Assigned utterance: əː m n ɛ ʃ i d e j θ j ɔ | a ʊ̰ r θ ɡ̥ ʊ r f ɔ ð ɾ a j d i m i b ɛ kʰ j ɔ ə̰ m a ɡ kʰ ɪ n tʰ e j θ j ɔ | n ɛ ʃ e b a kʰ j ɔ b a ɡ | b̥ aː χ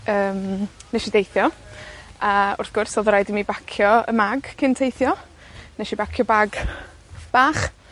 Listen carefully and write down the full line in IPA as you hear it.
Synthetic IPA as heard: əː m n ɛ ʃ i d e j θ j ɔ | a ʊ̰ r θ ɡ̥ ʊ r s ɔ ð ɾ a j d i m i b a kʰ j ɔ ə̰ m a ɡ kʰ ɪ n tʰ e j θ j ɔ | n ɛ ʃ i b a kʰ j ɔ b a ɡ | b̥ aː χ